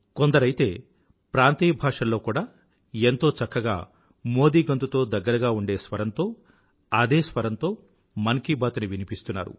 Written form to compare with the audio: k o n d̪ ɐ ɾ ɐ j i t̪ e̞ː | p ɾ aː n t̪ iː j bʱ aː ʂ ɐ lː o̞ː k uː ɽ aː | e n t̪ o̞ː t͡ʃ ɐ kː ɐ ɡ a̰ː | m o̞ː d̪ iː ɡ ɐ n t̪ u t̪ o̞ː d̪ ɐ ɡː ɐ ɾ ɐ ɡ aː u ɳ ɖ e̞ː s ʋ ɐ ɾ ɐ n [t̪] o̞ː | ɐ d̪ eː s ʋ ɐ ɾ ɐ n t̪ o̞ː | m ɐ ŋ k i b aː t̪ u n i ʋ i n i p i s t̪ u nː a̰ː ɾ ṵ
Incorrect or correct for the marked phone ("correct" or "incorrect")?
correct